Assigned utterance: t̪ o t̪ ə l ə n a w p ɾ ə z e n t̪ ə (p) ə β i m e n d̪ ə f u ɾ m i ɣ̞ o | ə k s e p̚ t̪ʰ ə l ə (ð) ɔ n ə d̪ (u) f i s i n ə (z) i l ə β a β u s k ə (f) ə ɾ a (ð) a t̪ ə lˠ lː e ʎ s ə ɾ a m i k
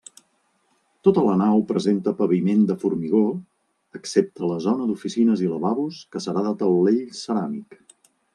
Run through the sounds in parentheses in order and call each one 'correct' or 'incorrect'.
correct, incorrect, correct, correct, incorrect, correct

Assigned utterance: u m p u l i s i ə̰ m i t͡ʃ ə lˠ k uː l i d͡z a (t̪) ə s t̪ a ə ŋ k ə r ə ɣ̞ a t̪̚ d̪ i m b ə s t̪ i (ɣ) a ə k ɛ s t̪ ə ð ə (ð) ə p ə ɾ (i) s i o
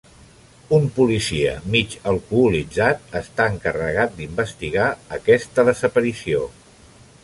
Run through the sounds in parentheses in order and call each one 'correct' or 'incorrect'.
correct, correct, incorrect, correct

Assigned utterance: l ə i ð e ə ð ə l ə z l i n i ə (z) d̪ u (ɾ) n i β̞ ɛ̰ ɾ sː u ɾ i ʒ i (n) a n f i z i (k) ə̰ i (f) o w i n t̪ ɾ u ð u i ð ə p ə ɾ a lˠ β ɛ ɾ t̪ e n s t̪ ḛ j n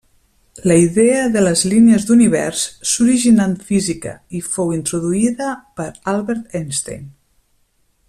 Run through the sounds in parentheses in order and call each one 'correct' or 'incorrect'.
correct, incorrect, correct, correct, correct

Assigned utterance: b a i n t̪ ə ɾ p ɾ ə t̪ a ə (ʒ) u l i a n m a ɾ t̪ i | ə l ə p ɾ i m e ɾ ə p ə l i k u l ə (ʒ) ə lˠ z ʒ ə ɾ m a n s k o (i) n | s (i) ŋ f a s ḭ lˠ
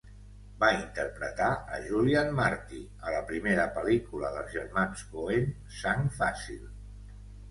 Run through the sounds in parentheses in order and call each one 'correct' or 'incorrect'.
correct, incorrect, incorrect, incorrect

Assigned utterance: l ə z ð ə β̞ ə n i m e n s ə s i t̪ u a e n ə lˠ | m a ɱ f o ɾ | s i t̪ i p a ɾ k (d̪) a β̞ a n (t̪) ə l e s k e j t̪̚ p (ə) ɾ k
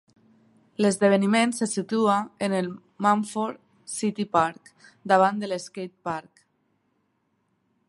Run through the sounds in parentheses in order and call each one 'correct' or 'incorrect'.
correct, incorrect, incorrect

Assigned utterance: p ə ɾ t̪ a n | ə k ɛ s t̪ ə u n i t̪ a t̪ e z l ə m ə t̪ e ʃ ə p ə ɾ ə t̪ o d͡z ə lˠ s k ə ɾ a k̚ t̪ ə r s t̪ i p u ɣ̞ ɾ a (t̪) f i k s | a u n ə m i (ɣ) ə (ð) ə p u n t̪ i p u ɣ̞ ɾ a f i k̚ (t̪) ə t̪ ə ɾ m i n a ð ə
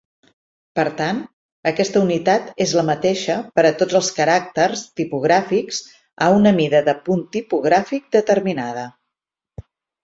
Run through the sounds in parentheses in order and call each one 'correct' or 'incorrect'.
incorrect, incorrect, correct, incorrect

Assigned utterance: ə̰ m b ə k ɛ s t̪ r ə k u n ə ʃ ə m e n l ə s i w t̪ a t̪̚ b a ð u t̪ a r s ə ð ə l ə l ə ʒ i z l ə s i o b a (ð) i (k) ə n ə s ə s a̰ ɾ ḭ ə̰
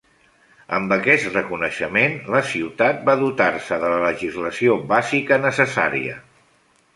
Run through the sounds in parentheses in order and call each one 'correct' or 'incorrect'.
incorrect, correct

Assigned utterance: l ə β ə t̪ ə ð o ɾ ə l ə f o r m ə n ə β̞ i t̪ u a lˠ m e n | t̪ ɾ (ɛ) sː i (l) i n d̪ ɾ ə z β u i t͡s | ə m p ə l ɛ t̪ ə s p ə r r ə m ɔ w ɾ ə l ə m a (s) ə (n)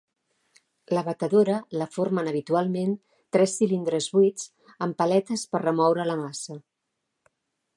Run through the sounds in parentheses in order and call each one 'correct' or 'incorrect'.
correct, correct, correct, incorrect

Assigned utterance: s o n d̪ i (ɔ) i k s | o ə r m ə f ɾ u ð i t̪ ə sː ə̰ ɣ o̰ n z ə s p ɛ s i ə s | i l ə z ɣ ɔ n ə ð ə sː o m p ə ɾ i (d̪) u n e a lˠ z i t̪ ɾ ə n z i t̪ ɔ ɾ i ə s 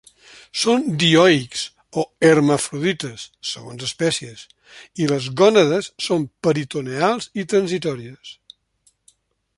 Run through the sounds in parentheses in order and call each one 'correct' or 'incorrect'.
correct, incorrect

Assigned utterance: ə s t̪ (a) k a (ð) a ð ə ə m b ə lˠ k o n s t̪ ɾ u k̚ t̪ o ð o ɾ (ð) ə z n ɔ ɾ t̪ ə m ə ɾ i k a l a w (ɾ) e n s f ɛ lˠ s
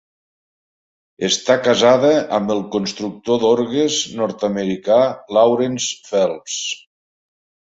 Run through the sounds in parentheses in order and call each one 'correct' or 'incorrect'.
correct, incorrect, incorrect, correct

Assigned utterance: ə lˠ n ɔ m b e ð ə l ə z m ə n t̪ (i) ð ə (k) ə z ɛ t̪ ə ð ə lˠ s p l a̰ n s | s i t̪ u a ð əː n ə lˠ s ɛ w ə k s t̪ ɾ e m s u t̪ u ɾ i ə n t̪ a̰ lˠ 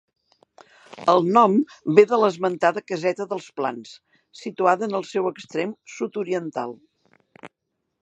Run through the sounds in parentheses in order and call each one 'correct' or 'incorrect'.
incorrect, correct

